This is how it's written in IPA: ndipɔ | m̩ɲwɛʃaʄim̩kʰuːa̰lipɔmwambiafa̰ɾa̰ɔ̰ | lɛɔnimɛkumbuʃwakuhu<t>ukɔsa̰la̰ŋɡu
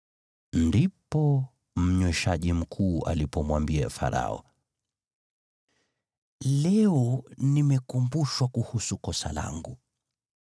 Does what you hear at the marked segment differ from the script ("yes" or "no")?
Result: yes